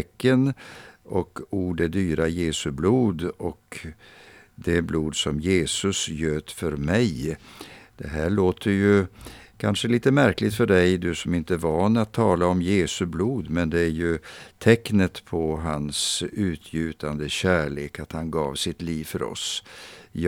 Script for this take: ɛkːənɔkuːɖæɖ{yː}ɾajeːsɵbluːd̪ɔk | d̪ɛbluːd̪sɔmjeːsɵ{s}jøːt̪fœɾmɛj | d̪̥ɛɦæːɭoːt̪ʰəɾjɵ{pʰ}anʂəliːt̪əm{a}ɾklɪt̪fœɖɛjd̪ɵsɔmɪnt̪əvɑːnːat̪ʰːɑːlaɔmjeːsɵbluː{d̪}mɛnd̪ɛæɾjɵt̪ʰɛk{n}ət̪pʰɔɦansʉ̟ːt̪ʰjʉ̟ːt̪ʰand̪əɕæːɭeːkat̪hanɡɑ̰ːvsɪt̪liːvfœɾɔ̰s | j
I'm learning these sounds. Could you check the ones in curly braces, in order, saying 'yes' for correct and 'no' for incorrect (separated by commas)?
yes, yes, no, no, yes, yes